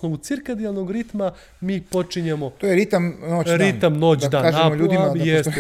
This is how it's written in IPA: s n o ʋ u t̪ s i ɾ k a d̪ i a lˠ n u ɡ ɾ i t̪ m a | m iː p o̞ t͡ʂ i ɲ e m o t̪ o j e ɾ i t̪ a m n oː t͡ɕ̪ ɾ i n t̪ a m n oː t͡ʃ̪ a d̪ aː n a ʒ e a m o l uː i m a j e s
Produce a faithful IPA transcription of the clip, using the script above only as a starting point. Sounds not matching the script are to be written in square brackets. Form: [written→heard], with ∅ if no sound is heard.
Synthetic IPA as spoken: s n o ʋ u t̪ s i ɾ k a d̪ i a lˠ n [u→o] ɡ ɾ i t̪ m a | m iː p o̞ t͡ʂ i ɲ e m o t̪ o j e ɾ i t̪ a m n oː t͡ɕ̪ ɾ i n t̪ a m n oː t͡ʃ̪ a d̪ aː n a ʒ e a m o [l→ʎ] uː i m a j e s